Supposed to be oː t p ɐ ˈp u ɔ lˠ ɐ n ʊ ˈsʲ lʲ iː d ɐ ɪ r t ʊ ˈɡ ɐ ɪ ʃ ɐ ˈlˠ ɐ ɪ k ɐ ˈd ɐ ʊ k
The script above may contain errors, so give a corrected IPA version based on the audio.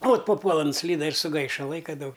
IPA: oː t p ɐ ˈp u ɔ lˠ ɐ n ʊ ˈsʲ lʲ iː d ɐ ɪ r s ʊ ˈɡ ɐ ɪ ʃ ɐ ˈlˠ ɐ ɪ k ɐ ˈd ɐ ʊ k